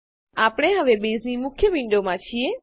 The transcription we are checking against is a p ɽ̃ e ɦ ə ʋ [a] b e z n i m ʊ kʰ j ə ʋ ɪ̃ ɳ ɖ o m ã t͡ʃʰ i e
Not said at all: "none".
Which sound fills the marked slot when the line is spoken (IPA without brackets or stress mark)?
e